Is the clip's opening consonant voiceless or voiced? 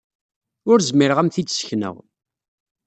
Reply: voiced